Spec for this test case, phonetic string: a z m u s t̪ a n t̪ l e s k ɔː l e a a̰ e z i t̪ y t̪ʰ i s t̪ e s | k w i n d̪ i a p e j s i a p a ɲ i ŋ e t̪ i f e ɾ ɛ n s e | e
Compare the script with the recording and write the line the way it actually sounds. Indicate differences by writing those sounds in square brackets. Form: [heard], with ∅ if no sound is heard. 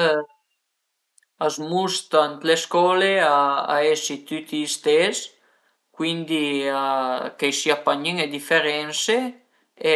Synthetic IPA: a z m u s t̪ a n t̪ l e s k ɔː l e a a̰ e [s] i t̪ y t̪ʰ i s t̪ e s | k w i n d̪ i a [k] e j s i a p a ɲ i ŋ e [d̪] i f e ɾ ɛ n s e | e